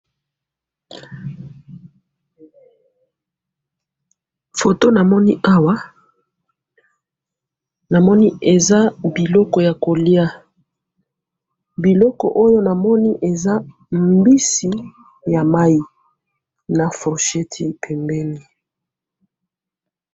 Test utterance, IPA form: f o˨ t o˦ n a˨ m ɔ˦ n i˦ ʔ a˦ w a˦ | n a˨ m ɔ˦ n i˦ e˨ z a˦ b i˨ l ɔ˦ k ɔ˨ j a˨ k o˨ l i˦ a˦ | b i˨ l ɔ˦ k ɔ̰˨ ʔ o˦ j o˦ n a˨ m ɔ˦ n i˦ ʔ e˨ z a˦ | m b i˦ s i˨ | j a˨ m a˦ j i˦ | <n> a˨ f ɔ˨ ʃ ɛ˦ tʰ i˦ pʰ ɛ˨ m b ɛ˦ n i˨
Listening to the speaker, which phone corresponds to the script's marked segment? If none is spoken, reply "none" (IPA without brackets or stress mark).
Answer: n